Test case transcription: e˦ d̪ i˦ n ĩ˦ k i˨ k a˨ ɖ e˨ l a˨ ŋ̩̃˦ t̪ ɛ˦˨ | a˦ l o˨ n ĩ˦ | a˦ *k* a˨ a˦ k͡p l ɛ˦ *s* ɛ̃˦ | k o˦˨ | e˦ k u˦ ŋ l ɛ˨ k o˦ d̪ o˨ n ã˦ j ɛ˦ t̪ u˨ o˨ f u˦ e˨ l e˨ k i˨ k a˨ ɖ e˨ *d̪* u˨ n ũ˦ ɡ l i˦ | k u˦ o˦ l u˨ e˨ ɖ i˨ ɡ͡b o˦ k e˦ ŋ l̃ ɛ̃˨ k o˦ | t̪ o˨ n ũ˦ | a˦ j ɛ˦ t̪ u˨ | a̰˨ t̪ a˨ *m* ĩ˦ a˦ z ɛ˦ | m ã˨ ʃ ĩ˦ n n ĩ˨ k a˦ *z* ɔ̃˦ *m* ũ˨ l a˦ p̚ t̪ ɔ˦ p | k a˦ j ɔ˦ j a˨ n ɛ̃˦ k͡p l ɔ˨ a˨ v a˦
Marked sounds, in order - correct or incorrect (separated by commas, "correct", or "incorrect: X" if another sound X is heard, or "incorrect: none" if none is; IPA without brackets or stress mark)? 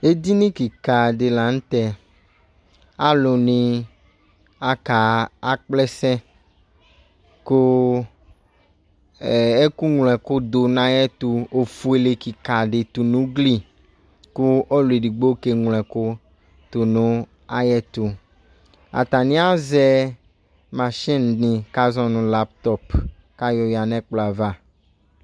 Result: correct, correct, incorrect: t̪, incorrect: n, correct, incorrect: n